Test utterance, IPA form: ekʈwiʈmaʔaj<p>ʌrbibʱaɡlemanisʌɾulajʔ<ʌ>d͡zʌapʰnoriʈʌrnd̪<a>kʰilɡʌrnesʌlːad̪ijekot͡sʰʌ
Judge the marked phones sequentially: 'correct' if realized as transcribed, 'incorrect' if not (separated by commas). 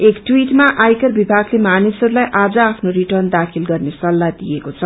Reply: incorrect, incorrect, correct